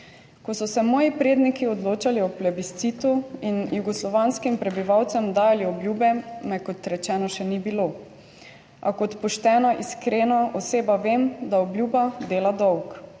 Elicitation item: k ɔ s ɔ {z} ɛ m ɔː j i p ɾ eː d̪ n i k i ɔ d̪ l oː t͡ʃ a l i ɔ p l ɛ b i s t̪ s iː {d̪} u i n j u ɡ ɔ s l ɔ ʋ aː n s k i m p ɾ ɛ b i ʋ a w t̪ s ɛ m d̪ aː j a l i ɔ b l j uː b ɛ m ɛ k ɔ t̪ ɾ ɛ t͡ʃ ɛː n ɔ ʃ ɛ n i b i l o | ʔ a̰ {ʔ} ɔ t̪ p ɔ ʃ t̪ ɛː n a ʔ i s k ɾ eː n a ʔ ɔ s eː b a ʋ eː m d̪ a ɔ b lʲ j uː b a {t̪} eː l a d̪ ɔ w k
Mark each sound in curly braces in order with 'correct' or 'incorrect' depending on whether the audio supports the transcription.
incorrect: s, incorrect: t̪, incorrect: k, incorrect: d̪

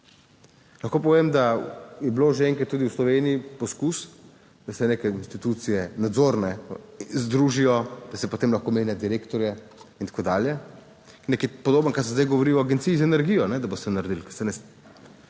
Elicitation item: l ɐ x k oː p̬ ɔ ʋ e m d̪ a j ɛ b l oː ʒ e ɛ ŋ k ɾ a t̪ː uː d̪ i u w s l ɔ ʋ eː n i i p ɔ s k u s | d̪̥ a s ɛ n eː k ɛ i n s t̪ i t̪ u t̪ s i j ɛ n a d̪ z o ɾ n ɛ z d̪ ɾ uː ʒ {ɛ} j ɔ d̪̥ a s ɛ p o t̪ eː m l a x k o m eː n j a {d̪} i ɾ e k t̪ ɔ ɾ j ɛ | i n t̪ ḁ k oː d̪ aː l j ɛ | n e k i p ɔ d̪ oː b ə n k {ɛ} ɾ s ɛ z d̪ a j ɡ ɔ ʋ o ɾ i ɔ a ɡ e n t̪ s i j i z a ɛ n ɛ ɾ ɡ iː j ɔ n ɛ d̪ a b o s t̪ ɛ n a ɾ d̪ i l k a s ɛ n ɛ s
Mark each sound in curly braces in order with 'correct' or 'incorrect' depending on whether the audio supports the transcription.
incorrect: i, correct, incorrect: a

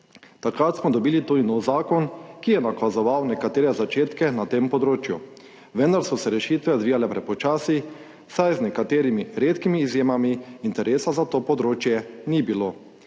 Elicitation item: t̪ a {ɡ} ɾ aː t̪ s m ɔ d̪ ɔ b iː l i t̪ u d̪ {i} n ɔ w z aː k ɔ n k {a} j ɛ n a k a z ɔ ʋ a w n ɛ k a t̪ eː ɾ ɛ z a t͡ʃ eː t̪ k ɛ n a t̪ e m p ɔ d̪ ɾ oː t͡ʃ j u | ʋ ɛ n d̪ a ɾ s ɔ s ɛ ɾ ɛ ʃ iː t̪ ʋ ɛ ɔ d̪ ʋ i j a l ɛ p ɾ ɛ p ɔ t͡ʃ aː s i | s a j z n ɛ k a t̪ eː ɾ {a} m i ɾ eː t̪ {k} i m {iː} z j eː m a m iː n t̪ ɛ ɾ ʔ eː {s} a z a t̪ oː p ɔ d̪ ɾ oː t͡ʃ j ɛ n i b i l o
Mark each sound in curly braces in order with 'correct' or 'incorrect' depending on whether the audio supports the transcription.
incorrect: k, correct, incorrect: i, incorrect: i, correct, correct, correct

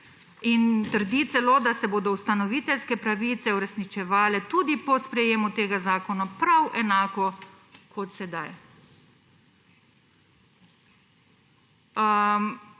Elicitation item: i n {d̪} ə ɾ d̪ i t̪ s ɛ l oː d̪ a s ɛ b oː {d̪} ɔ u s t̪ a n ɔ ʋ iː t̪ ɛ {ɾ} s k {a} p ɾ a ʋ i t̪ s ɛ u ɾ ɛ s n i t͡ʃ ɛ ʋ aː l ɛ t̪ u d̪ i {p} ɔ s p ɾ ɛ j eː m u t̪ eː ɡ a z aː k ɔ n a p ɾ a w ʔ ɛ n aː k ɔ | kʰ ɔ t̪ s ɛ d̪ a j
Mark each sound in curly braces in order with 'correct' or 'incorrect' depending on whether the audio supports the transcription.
incorrect: t̪, correct, incorrect: l, incorrect: ɛ, correct

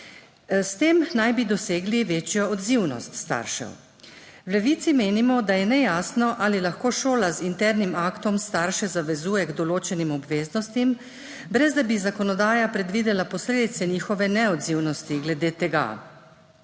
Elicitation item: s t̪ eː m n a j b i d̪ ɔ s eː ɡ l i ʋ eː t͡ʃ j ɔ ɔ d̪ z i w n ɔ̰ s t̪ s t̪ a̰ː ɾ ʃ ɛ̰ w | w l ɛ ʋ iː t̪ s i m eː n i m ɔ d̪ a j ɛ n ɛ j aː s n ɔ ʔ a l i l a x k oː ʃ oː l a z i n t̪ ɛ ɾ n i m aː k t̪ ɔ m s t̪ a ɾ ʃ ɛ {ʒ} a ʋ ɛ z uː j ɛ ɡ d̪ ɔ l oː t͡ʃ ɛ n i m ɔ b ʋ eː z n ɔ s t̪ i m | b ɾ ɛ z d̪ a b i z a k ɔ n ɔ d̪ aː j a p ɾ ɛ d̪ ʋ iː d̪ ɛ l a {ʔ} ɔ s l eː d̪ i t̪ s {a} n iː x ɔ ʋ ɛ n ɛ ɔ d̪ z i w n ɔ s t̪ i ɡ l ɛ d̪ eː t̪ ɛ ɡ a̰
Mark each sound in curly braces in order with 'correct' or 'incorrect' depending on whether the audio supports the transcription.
incorrect: z, incorrect: p, incorrect: ɛ

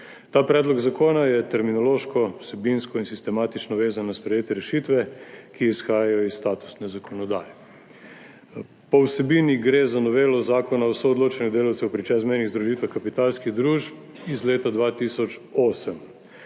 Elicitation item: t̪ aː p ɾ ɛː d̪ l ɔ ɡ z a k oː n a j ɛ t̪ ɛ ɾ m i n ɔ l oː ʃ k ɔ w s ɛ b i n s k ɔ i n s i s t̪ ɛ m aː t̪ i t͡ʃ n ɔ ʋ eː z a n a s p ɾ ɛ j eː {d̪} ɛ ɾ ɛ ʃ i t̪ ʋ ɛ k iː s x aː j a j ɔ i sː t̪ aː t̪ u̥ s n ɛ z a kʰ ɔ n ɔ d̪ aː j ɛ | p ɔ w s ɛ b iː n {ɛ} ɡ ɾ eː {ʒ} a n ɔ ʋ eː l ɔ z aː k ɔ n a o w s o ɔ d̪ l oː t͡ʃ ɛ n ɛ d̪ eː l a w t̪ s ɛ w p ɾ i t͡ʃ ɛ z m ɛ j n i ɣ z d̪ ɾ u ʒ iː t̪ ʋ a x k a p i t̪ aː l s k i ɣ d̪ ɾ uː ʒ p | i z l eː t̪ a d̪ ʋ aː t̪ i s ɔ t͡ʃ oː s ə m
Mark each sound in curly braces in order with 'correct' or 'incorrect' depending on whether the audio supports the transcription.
incorrect: t̪, incorrect: i, incorrect: z

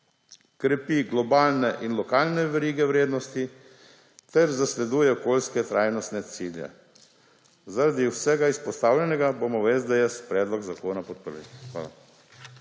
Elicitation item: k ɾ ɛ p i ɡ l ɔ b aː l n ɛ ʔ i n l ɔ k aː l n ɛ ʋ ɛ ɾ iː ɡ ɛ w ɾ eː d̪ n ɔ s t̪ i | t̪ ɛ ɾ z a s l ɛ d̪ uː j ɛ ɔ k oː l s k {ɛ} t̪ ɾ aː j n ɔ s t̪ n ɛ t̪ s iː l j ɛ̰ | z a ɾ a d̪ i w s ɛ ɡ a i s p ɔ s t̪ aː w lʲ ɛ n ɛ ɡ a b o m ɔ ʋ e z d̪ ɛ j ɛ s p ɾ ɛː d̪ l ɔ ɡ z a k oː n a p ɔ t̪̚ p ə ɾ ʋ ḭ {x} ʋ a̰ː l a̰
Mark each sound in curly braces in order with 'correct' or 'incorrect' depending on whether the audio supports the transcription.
correct, correct

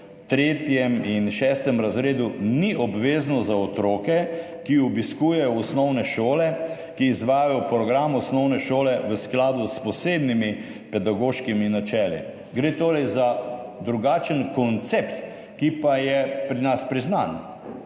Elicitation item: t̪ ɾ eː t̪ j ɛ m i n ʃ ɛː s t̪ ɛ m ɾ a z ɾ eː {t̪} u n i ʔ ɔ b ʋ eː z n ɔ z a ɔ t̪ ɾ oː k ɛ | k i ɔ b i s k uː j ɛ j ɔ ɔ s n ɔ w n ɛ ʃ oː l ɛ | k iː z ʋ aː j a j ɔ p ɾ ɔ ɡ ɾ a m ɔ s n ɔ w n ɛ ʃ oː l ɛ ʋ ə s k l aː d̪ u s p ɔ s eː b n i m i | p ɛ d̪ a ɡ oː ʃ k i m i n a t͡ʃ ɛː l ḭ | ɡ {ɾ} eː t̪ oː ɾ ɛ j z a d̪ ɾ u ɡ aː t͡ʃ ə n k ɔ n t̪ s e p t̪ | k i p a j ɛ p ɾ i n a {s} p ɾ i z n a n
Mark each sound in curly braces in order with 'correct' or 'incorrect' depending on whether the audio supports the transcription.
incorrect: d̪, correct, correct

